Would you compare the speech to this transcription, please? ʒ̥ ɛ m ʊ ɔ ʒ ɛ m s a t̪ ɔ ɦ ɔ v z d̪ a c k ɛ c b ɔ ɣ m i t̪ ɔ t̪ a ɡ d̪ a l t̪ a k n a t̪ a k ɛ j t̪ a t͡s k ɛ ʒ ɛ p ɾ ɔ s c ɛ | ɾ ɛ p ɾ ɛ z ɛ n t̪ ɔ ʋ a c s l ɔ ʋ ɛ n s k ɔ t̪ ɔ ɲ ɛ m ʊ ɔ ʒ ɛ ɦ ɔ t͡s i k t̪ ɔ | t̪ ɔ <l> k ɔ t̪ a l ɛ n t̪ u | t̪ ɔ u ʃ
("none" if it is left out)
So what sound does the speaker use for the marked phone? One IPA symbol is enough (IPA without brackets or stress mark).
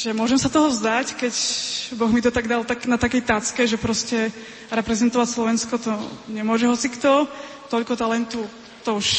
ʎ